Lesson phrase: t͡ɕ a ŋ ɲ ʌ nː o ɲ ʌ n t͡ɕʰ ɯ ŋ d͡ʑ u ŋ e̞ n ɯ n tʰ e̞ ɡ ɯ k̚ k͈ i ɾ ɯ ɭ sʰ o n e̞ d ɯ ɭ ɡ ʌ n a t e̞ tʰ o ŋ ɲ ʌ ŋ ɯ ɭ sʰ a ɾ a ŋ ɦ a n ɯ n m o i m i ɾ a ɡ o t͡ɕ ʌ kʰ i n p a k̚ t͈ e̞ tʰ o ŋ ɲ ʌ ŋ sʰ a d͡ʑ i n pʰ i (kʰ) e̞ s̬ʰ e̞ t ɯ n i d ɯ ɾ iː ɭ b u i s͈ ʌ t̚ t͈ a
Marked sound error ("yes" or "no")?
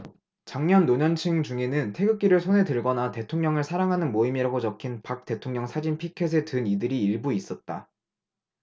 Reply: no